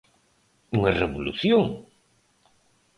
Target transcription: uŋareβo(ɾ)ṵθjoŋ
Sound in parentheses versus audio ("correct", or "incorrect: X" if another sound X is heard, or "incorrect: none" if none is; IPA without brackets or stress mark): incorrect: l